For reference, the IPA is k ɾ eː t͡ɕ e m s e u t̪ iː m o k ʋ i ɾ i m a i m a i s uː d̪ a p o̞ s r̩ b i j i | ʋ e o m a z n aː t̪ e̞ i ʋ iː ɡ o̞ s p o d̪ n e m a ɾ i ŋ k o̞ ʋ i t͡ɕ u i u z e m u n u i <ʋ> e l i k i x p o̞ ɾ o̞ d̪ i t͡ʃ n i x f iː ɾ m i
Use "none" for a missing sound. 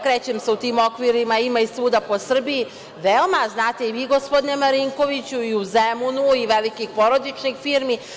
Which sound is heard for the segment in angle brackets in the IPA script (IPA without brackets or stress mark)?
ʋ